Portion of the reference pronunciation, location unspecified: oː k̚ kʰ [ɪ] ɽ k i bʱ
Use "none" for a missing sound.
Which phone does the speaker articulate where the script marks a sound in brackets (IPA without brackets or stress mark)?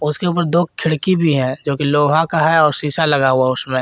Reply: ɪ